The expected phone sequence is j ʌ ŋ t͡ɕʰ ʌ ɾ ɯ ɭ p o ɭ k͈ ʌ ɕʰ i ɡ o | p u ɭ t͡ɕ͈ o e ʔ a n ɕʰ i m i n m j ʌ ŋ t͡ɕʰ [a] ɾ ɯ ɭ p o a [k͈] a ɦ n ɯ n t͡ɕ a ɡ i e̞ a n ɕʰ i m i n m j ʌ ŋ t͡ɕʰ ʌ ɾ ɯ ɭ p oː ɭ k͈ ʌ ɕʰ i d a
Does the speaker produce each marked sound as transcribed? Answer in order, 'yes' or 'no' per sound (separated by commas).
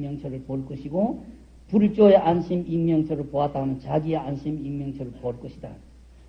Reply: no, no